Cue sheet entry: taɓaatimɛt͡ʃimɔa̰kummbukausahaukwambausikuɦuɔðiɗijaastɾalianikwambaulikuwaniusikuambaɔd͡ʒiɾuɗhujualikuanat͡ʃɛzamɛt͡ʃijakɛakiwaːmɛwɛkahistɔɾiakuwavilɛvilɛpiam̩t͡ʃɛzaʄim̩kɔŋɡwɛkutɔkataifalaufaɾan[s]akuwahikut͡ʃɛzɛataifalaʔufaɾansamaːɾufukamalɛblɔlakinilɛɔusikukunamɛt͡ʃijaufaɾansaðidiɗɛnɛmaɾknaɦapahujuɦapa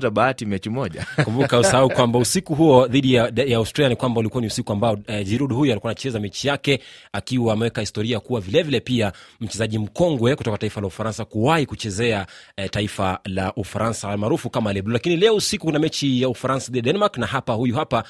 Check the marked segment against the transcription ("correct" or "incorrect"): correct